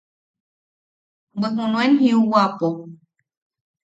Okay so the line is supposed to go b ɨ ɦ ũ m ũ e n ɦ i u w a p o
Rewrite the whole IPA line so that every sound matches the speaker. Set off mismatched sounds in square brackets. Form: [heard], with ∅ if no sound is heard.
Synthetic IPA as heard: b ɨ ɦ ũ [n] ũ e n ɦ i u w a p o